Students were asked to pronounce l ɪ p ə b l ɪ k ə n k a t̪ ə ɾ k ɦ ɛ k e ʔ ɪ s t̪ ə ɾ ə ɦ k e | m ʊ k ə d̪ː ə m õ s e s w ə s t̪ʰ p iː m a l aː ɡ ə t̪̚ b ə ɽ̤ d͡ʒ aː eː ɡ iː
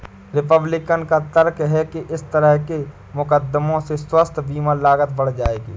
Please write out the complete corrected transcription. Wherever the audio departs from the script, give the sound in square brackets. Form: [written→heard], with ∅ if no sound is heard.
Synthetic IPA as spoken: [l→ɾ] ɪ p ə b l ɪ k ə n k a t̪ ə ɾ k ɦ ɛ k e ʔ ɪ s t̪ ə ɾ ə ɦ k e | m ʊ k ə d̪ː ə m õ s e s w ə s t̪ʰ [p→b] iː m a l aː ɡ ə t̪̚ b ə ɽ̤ d͡ʒ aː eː ɡ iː